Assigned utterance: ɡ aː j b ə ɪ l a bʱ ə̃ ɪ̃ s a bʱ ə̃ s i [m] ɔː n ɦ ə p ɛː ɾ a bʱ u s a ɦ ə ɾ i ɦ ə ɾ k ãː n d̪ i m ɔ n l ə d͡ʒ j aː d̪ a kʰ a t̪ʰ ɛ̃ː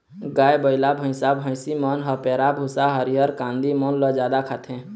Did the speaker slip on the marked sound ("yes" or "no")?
no